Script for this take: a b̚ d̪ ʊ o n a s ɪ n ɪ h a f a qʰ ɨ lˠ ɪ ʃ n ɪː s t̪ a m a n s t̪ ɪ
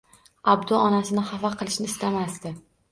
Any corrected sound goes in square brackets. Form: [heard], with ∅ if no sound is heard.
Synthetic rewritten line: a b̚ d̪ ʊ [ɒ] n a s ɪ n ɪ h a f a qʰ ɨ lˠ ɪ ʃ n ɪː s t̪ a m a [∅] s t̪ ɪ